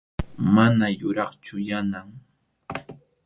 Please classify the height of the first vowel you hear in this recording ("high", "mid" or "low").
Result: low